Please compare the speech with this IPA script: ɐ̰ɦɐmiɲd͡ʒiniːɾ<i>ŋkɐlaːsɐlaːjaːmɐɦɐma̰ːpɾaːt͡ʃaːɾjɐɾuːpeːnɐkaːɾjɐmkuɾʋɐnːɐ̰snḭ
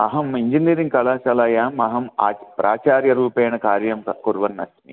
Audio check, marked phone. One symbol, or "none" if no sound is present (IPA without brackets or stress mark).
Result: i